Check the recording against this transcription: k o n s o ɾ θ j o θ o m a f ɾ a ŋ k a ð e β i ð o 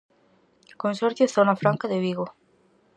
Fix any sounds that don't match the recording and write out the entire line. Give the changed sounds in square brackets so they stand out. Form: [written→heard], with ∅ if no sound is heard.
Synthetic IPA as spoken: k o n s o ɾ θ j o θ o [m→n] a f ɾ a ŋ k a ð e β i [ð→ɣ] o